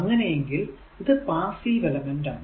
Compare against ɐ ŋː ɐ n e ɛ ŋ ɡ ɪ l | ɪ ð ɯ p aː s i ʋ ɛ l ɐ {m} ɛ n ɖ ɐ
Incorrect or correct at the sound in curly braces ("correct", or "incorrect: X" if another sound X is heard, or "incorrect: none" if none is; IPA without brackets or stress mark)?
correct